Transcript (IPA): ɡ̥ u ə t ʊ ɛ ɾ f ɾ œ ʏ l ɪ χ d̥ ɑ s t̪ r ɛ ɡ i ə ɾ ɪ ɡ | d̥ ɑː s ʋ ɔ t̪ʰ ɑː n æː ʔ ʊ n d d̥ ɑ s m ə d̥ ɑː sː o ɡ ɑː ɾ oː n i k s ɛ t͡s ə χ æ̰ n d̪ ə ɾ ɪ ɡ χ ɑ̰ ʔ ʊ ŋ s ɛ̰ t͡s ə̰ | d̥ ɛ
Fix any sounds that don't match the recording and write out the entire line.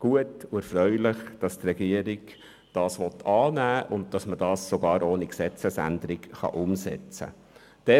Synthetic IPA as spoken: ɡ̥ u ə t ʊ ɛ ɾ f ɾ œ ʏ l ɪ χ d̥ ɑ s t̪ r ɛ ɡ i ə ɾ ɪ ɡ | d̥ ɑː s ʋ ɔ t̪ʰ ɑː n æː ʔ ʊ n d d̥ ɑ s m ə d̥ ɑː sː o ɡ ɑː ɾ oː n i k s ɛ t͡s ə s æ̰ n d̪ ə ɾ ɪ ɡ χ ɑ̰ ʔ ʊ m s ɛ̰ t͡s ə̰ | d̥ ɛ